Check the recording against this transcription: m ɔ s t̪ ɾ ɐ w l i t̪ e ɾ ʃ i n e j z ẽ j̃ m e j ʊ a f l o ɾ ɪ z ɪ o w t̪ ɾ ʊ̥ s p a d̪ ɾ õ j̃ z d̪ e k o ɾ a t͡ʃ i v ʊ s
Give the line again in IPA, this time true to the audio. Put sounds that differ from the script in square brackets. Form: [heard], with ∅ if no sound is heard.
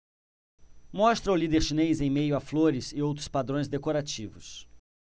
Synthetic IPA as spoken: m ɔ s t̪ ɾ ɐ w l i [d̪] e ɾ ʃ i n e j z ẽ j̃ m e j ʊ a f l o ɾ ɪ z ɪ o w t̪ ɾ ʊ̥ s p a d̪ ɾ õ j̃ z d̪ e k o ɾ a t͡ʃ i v ʊ s